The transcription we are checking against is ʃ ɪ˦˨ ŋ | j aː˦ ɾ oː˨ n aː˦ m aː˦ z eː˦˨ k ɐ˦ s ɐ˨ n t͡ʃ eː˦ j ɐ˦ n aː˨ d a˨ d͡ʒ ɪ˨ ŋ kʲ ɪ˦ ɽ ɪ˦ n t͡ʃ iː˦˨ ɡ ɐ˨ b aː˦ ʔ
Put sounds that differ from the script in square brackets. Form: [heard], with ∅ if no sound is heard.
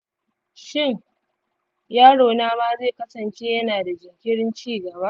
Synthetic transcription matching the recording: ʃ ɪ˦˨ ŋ | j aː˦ [ɽ] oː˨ n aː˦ m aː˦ z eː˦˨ k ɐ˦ s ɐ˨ n t͡ʃ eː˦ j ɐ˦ n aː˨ d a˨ d͡ʒ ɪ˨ ŋ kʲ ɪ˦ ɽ ɪ˦ n t͡ʃ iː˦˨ ɡ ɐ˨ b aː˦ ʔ